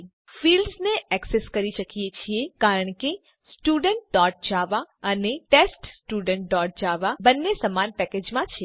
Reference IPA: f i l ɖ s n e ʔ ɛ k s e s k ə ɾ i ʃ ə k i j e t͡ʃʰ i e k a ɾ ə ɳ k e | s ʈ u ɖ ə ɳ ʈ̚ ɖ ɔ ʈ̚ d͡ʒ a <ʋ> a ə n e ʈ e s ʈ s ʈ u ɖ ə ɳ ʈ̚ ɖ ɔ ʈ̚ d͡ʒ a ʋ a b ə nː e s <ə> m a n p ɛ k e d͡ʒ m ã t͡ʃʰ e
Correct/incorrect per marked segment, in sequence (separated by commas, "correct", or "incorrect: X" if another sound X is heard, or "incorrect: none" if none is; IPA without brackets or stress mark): correct, correct